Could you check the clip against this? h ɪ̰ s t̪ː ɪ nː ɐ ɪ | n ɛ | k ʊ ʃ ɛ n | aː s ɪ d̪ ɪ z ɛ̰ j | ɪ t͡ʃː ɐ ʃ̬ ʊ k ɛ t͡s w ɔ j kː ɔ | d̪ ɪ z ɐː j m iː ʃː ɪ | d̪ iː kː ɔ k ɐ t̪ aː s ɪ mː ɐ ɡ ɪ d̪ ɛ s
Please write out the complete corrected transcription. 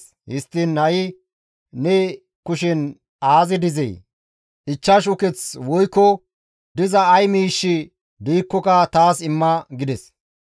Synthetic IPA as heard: h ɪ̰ s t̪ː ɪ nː ɐ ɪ | n ɛ | k ʊ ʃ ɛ n | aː z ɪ d̪ ɪ z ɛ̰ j | ɪ t͡ʃː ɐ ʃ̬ ʊ k ɛ t͡s w ɔ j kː ɔ | d̪ ɪ z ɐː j m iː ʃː ɪ | d̪ iː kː ɔ k ɐ t̪ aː s ɪ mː ɐ ɡ ɪ d̪ ɛ s